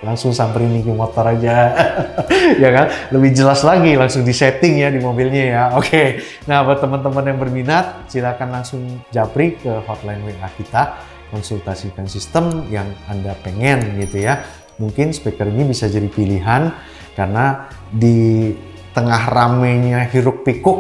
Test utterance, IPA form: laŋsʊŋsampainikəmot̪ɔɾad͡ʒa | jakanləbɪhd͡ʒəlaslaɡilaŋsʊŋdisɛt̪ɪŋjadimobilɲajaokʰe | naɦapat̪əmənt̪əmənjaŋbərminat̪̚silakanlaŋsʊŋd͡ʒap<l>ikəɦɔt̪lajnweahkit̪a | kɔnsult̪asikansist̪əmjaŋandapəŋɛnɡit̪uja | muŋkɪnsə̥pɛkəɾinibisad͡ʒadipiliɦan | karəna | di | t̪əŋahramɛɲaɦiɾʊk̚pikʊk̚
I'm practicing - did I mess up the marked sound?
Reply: yes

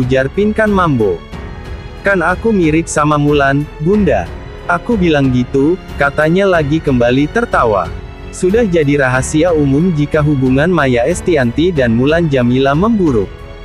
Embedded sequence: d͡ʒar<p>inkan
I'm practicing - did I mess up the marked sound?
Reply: no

